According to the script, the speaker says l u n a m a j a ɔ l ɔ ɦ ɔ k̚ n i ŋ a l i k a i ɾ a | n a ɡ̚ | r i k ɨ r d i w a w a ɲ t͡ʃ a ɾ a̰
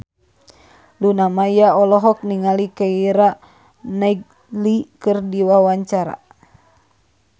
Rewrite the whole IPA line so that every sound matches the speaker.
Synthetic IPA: l u n a m a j a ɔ l ɔ ɦ ɔ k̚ n i ŋ a l i k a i ɾ a | n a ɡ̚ | l i k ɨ r d i w a w a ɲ t͡ʃ a ɾ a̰